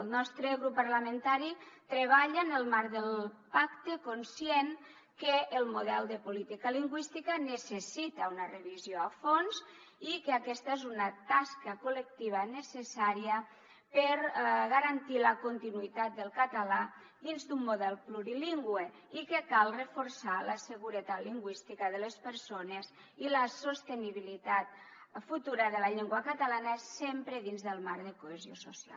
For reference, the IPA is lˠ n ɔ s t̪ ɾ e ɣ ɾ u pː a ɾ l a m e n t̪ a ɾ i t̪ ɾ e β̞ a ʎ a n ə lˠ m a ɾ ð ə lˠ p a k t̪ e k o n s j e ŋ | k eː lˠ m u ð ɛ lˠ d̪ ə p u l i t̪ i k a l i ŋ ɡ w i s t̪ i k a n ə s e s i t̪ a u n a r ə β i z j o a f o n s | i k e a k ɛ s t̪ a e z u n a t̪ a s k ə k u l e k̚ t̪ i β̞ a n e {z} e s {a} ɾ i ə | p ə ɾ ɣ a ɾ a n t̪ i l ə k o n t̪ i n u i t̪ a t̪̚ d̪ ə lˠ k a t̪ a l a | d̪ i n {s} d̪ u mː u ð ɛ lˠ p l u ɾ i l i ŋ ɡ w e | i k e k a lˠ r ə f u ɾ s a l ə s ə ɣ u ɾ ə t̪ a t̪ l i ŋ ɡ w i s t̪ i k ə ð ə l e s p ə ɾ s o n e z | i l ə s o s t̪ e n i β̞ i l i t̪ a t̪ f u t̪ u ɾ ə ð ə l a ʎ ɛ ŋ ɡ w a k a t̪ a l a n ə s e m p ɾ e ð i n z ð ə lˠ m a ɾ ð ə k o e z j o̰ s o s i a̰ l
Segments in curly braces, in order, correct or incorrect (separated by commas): incorrect, correct, incorrect